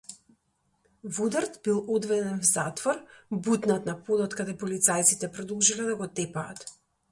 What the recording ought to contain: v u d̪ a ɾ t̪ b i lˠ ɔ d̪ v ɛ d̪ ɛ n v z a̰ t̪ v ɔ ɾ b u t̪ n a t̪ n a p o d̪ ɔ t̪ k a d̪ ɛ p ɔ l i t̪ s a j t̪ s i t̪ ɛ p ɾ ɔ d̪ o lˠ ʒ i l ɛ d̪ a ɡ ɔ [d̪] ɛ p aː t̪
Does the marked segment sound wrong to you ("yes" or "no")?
yes